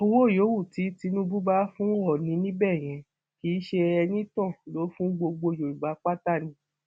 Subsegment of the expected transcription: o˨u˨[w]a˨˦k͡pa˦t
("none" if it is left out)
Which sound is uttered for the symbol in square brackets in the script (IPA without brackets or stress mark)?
b